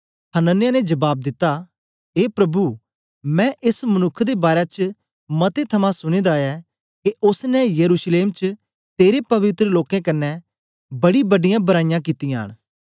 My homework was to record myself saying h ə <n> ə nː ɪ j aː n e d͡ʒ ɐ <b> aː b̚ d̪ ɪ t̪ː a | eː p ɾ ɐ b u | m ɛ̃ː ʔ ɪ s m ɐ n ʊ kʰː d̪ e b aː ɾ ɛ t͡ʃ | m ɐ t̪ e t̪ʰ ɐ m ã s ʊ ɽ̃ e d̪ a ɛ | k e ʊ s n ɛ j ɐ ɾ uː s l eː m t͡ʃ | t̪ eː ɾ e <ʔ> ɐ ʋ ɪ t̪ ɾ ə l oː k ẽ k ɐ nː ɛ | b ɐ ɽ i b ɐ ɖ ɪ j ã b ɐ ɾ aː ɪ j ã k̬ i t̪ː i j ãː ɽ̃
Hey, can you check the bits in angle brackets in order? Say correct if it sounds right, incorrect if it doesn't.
correct, correct, incorrect

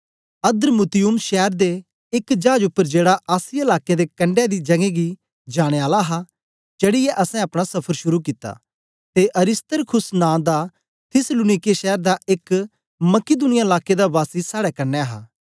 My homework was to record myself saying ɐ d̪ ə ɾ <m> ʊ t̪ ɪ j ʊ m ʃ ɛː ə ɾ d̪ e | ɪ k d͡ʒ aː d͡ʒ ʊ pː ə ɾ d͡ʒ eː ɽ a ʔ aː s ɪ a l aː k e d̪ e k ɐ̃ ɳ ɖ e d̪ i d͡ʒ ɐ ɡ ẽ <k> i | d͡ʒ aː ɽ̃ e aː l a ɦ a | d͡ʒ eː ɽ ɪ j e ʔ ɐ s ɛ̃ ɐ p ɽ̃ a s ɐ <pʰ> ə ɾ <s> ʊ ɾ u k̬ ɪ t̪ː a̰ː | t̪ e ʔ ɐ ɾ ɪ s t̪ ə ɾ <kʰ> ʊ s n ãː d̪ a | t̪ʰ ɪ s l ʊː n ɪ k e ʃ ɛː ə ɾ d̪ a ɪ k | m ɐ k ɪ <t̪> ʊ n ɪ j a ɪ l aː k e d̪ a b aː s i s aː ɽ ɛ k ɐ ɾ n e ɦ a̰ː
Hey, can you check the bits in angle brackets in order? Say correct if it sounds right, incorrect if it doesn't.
correct, incorrect, correct, incorrect, correct, incorrect

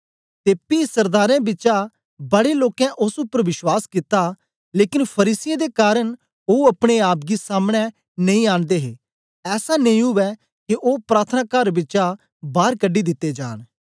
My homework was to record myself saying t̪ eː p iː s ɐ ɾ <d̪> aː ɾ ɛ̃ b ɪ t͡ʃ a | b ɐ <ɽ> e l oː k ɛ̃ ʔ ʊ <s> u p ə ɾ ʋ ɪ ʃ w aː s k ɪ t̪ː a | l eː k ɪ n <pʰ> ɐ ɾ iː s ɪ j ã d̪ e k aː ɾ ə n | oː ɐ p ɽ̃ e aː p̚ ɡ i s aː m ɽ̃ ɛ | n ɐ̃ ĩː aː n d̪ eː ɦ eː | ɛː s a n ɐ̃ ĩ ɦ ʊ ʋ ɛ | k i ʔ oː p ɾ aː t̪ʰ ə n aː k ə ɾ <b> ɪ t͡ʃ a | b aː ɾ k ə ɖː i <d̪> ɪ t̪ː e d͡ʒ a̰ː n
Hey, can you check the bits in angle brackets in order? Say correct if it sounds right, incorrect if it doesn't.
correct, correct, correct, correct, correct, correct

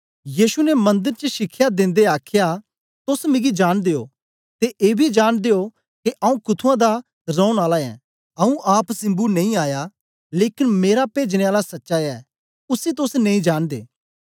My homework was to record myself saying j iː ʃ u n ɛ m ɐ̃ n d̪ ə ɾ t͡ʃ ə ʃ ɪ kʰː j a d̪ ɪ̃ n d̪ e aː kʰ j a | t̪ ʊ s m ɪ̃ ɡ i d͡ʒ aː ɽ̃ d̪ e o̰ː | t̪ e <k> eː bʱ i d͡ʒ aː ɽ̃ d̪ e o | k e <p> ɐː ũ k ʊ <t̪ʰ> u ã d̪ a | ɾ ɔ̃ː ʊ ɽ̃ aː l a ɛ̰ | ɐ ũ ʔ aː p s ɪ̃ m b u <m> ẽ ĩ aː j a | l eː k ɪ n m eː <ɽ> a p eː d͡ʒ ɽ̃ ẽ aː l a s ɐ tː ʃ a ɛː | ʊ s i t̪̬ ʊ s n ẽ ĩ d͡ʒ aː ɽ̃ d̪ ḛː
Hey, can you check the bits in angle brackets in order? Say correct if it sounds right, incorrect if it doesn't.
incorrect, incorrect, correct, incorrect, incorrect

